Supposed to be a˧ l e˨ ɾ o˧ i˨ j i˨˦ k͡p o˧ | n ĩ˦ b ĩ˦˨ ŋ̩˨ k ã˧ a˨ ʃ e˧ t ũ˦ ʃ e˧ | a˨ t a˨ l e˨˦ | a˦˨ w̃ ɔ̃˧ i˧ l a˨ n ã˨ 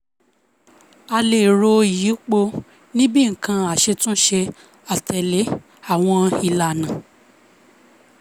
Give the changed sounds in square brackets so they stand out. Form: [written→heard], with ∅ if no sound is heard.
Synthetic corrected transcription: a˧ l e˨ ɾ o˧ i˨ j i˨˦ k͡p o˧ | n ĩ˦ b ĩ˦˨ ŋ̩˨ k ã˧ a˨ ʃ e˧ t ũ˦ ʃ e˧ | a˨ t [a˨→ɛ˨] l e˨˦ | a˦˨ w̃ ɔ̃˧ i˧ l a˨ n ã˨